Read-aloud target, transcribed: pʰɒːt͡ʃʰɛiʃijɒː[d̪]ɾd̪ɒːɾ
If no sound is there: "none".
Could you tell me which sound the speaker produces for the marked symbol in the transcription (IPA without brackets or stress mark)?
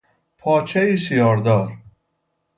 none